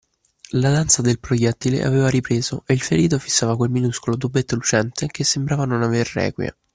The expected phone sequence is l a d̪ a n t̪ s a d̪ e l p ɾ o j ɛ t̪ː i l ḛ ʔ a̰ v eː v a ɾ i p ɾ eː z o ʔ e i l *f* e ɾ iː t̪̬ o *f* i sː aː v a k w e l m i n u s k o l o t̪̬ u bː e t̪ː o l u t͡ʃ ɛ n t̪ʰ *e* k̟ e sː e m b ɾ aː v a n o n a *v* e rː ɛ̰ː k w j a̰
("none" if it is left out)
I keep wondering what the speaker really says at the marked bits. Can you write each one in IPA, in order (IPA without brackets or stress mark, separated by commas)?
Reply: f, f, e, v